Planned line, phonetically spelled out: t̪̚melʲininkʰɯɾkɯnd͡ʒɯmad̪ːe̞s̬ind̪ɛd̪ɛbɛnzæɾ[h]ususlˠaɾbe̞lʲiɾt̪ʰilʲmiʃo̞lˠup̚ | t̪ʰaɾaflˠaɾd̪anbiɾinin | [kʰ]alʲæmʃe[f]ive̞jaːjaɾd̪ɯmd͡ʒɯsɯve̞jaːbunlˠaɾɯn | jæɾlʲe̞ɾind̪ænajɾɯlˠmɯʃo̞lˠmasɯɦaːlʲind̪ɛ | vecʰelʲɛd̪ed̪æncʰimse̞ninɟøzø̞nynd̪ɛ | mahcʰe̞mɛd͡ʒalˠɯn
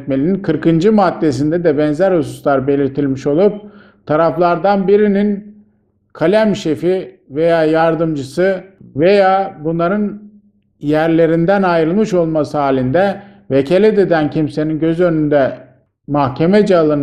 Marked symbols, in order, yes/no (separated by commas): yes, yes, yes